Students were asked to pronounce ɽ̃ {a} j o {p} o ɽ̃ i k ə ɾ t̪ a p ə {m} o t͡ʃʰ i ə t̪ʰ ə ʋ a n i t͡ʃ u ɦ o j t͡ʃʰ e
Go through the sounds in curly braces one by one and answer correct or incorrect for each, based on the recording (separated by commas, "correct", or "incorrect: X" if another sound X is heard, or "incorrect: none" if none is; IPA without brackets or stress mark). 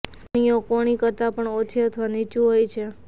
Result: incorrect: i, incorrect: k, incorrect: ɳ